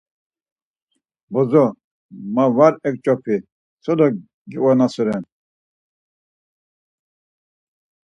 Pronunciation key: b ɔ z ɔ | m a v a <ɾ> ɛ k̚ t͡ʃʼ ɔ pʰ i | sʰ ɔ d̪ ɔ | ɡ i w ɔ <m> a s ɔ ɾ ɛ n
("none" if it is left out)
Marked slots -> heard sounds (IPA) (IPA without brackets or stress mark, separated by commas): ɾ, n